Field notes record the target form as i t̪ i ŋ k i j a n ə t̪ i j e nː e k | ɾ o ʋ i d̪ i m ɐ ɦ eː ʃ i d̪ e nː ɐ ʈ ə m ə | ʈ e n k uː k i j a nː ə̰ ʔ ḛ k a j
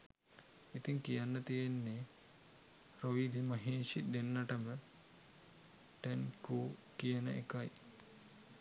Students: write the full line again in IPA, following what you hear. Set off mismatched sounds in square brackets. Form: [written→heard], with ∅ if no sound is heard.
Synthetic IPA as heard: i t̪ i ŋ k i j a [n→nː] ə t̪ i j e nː e [k→∅] | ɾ o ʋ i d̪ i m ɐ ɦ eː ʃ i d̪ e nː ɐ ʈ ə m ə | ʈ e n k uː k i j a [nː→n] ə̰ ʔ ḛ k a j